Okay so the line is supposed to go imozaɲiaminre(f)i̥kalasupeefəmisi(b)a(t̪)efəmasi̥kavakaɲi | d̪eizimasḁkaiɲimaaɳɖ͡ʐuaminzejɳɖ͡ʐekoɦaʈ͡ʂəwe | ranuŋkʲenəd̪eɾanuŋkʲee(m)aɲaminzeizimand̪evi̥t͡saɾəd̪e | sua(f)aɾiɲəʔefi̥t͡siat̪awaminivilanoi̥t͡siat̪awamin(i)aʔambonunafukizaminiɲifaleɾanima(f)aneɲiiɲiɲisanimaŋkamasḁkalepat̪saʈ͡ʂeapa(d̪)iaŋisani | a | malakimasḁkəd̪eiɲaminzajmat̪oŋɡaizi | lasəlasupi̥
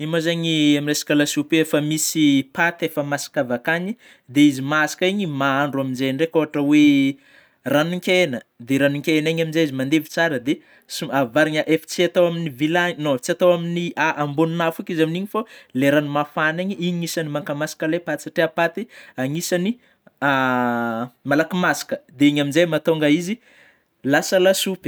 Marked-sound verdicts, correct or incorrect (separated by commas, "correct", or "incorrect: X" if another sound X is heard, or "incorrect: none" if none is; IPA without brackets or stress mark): incorrect: s, incorrect: p, correct, incorrect: n, incorrect: v, correct, correct, incorrect: t̪